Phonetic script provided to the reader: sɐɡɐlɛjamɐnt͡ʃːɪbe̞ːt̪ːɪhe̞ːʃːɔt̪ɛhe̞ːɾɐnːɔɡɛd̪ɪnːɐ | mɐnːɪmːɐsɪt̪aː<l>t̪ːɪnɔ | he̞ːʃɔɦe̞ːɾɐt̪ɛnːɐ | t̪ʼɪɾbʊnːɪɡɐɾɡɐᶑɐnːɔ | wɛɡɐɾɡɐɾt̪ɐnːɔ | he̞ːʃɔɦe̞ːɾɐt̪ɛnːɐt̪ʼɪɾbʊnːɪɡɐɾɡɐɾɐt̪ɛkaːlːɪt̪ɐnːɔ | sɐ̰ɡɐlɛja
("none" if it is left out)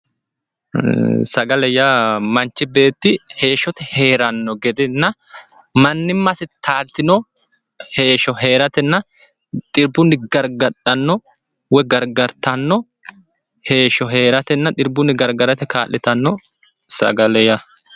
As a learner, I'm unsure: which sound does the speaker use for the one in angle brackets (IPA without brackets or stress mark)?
l